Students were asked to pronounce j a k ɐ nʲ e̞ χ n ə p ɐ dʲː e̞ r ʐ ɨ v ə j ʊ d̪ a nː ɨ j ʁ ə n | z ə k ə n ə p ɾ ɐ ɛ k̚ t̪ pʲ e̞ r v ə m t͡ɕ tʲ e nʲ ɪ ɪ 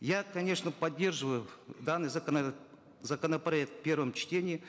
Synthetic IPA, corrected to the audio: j a k ɐ nʲ e̞ ʂ n ə p ɐ dʲː e̞ r ʐ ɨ v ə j ʊ d̪ a nː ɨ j z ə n | z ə k ə n ə p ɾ ɐ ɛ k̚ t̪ pʲ e̞ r v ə m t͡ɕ tʲ e nʲ ɪ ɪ